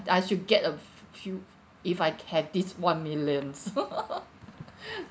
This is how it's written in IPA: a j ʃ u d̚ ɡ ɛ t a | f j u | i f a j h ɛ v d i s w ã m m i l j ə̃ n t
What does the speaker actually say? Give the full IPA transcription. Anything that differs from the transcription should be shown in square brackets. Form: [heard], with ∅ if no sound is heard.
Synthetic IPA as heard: a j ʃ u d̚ ɡ ɛ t [ə] | f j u | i f a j h ɛ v d i s w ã [n] m i l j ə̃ n [s]